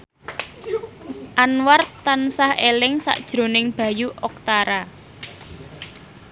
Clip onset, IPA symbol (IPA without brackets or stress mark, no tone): ʔ